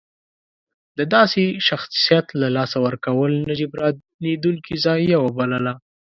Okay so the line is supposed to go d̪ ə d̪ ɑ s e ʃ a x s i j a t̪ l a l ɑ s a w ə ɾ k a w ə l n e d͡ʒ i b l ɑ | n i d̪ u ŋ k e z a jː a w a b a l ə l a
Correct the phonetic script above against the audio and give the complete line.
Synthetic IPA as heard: d̪ ə d̪ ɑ s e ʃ a x s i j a t̪ l a l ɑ s a w ə ɾ k a w ə l n a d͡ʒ i b ɾ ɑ | n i d̪ u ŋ k i z ɑ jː a w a b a l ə l a